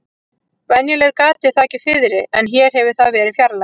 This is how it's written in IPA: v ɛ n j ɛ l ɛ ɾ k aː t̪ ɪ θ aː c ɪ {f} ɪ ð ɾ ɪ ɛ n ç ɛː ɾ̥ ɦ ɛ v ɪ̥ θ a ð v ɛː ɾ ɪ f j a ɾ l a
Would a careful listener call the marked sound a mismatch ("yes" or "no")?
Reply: no